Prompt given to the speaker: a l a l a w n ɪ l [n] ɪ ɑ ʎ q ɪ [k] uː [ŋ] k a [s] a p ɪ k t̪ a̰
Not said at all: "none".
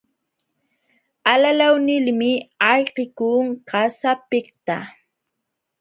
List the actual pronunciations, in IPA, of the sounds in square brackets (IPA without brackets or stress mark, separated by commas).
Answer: m, k, ŋ, s